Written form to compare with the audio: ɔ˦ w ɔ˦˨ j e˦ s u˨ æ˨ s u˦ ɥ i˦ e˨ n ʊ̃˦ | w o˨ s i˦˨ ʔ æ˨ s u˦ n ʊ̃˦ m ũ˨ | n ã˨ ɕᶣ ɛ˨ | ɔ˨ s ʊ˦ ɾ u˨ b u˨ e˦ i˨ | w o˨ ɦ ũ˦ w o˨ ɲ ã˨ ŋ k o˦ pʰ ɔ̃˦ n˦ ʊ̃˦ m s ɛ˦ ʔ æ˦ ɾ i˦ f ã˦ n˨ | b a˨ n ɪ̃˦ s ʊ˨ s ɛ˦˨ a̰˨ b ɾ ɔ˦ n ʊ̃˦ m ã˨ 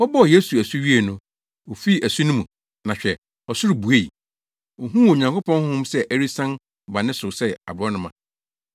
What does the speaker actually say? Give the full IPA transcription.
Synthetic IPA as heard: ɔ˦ b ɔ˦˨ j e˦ s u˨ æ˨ s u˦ ɥ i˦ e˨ n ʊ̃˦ | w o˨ f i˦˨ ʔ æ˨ s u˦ n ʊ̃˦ m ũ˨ | n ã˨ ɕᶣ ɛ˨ | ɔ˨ s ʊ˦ ɾ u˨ b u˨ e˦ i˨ | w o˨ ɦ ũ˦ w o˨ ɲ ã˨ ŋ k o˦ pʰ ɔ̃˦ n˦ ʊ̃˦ m s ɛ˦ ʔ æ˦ ɾ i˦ s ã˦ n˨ | b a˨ n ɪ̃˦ s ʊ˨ s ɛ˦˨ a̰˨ b ɾ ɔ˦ n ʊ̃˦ m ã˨